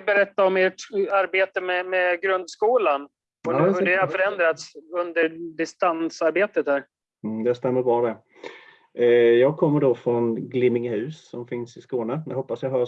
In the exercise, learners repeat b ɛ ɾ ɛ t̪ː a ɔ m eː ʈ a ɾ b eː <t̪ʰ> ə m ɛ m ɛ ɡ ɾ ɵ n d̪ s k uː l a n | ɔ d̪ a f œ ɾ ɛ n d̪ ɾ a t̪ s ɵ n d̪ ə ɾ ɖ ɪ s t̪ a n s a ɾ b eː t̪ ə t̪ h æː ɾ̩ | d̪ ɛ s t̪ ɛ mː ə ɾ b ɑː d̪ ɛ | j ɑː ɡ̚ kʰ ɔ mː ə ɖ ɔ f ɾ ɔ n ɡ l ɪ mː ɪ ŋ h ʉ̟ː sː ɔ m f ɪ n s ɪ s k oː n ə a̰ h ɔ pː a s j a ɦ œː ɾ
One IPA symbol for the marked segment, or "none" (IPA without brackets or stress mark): t̪